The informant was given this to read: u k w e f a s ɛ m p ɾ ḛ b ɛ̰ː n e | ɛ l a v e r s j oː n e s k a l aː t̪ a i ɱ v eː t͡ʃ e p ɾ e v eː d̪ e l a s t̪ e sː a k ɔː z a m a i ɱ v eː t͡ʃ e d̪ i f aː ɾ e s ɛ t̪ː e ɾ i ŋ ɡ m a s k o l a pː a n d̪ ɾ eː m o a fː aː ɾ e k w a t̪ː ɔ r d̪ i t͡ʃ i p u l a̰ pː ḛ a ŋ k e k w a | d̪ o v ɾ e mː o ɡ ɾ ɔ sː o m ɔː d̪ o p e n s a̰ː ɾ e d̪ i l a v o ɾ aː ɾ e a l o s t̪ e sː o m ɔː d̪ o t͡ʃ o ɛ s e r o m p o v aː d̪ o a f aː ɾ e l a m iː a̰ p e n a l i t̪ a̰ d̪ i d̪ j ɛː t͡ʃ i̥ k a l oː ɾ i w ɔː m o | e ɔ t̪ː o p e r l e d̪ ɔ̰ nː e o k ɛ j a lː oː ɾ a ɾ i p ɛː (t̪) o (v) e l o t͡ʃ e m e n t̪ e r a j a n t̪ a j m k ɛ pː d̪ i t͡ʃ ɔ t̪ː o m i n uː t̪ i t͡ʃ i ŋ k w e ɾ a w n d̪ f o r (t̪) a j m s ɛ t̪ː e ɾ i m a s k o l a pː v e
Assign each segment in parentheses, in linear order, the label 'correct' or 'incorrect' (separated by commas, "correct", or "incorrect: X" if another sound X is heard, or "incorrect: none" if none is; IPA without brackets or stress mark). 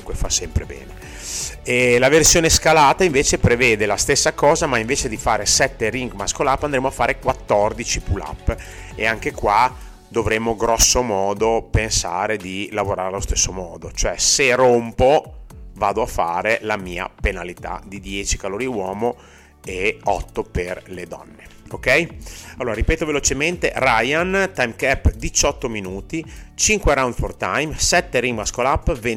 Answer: correct, correct, correct